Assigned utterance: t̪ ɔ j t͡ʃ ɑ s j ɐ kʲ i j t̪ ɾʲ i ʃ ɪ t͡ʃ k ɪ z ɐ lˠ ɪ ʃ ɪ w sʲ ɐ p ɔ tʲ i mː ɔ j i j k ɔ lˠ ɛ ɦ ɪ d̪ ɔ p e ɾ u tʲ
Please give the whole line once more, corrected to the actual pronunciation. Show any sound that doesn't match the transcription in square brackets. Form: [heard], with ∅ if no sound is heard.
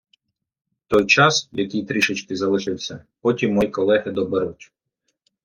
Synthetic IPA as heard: t̪ ɔ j t͡ʃ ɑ s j ɐ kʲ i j t̪ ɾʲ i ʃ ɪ t͡ʃ k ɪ z ɐ lˠ ɪ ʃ ɪ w sʲ ɐ p ɔ tʲ i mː ɔ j i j k ɔ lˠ ɛ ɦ ɪ d̪ ɔ [b] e ɾ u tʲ